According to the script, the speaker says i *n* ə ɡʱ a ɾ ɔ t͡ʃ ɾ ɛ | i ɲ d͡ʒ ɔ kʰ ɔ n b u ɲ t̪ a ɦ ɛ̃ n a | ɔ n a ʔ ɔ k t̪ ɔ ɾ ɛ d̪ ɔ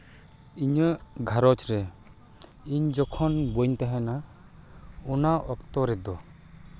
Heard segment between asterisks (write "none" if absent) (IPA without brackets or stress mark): ɲ